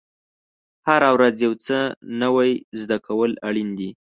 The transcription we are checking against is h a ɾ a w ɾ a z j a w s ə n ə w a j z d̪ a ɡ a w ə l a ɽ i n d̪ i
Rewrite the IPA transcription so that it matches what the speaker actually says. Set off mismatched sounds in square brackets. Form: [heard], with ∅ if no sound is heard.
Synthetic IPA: h a ɾ a w ɾ a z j a w [t͡s] ə n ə w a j z d̪ a [k] a w ə l a ɽ i n d̪ i